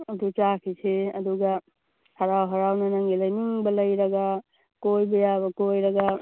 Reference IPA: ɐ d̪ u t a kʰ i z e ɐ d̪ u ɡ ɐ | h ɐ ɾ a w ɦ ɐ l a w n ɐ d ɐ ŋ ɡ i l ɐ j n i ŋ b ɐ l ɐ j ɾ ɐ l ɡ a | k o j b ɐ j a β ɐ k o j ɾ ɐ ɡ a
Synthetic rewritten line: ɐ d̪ u t͡ʃ a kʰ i s e ɐ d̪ u ɡ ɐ | h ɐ ɾ a w ɦ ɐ ɾ a w n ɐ n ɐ ŋ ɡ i l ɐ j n i ŋ b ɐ l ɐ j ɾ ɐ ɡ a | k o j b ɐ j a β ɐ k o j ɾ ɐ ɡ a